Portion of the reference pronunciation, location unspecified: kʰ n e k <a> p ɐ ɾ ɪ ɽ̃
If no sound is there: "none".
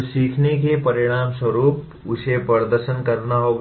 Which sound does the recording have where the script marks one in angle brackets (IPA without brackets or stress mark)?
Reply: e